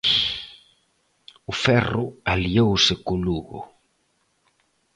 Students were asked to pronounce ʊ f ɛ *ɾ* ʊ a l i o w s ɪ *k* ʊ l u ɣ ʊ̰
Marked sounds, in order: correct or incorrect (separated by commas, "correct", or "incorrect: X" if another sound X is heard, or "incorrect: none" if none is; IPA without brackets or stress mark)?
incorrect: r, correct